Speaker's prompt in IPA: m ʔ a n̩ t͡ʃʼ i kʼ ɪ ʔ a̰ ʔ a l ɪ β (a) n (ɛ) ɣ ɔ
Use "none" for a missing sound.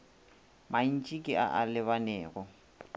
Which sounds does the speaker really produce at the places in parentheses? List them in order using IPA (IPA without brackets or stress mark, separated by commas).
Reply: a, ɛː